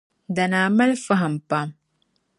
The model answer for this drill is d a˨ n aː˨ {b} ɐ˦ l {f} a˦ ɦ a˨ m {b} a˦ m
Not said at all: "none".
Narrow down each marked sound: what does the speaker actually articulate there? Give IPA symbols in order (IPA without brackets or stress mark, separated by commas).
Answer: m, f, p